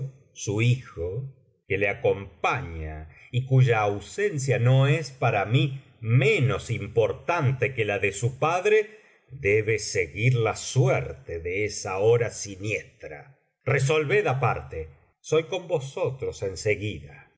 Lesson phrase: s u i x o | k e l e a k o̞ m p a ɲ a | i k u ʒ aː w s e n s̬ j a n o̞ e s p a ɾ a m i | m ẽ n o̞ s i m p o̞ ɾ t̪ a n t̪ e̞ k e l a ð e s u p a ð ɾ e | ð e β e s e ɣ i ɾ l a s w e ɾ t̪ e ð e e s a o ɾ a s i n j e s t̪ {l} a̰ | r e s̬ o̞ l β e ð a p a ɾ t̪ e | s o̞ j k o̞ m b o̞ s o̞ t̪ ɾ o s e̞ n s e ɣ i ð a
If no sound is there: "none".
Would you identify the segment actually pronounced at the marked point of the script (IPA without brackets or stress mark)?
ɾ